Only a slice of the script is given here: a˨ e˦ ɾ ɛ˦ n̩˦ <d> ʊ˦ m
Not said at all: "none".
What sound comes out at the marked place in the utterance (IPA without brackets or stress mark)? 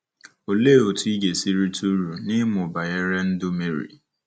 d